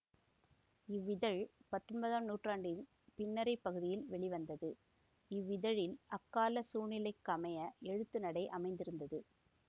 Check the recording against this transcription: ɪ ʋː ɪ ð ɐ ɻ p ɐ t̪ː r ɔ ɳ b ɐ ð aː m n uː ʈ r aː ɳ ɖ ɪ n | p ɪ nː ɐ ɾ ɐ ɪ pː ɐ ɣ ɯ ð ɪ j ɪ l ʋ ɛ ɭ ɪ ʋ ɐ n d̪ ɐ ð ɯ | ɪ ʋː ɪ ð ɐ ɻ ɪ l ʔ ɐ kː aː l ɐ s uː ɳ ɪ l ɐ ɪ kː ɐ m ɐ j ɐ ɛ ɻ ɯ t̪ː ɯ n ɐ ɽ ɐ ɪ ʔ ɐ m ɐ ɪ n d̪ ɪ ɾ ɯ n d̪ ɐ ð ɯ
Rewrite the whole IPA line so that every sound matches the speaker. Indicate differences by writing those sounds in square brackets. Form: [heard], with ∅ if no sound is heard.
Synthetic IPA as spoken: ɪ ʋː ɪ ð ɐ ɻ p ɐ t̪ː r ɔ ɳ b ɐ ð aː m n uː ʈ r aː ɳ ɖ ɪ n | p ɪ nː ɐ ɾ ɐ ɪ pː ɐ ɣ ɯ ð ɪ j ɪ l ʋ ɛ ɭ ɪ ʋ ɐ n d̪ ɐ ð ɯ | ɪ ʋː ɪ ð ɐ ɻ ɪ l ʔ ɐ kː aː l ɐ s uː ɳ ɪ l ɐ ɪ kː ɐ m ɐ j ɐ ɛ ɻ ɯ t̪ː ɯ n ɐ ɽ ɐ ɪ ʔ ɐ m ɐ ɪ n d̪ ɪ ɾ ɯ n d̪ ɐ ð ɯ